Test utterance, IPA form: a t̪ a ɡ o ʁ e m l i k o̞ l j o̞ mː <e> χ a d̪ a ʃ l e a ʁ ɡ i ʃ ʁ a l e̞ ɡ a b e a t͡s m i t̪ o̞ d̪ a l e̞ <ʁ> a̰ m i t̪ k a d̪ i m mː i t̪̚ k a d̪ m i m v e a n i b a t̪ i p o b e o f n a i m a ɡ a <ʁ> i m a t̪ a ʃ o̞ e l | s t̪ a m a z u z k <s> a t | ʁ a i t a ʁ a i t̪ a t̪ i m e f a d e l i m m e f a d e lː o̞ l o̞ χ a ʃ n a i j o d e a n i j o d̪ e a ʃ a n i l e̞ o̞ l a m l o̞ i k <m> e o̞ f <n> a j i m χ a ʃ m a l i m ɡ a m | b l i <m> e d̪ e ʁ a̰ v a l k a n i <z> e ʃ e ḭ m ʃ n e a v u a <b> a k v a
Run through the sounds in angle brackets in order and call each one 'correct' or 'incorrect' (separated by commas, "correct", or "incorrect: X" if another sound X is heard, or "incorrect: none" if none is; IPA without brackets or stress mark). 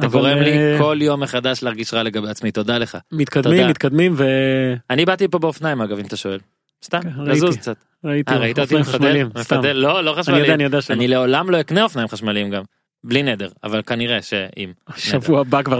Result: correct, incorrect: χ, incorrect: v, incorrect: t͡s, incorrect: n, correct, incorrect: n, incorrect: ʁ, correct